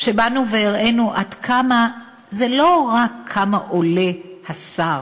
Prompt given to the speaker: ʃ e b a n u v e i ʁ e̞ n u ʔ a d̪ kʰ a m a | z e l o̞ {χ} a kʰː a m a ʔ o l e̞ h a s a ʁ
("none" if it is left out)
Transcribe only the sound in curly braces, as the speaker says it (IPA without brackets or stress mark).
ʁ